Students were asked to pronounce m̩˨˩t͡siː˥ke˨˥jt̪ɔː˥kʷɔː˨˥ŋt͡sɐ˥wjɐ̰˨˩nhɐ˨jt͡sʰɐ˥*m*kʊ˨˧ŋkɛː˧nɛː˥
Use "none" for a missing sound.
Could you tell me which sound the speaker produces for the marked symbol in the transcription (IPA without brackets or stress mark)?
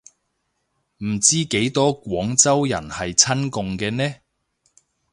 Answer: n